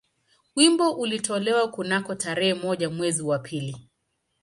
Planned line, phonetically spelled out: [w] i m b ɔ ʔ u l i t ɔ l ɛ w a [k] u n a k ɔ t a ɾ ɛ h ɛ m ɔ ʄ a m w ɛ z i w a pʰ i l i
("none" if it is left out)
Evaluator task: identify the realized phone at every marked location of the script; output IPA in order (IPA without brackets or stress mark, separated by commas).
w, k